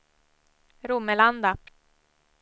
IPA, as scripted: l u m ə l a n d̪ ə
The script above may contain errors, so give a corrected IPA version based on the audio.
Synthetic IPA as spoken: ɾ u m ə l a n d̪ a